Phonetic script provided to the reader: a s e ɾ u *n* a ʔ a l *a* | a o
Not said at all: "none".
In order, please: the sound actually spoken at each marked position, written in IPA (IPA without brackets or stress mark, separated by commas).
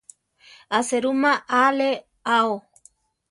m, e